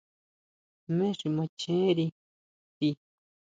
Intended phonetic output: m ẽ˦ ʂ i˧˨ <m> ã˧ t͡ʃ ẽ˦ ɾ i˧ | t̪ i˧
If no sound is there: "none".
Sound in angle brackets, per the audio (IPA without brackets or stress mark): m